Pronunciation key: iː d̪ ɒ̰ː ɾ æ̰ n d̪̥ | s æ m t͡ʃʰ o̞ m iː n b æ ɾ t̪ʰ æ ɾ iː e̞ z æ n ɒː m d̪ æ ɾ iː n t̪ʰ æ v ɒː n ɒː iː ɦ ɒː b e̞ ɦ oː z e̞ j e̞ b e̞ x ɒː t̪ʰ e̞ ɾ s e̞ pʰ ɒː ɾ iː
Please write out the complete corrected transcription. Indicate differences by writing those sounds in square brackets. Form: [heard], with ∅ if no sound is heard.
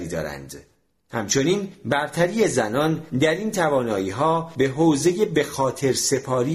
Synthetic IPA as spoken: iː d̪ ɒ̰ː ɾ æ̰ n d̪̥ | [h] æ m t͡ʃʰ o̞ [n] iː n b æ ɾ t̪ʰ æ ɾ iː e̞ z æ n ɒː [n] d̪ æ ɾ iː n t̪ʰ æ v ɒː n ɒː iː ɦ ɒː b e̞ ɦ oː z e̞ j e̞ b e̞ x ɒː t̪ʰ e̞ ɾ s e̞ pʰ ɒː ɾ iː